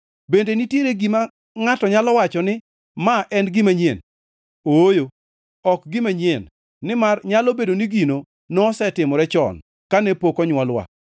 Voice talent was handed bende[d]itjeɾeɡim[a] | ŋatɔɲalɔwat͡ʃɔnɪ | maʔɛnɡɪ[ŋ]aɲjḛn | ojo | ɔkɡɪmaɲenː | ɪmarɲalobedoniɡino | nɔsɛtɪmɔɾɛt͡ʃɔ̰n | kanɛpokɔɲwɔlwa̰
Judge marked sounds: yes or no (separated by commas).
no, yes, no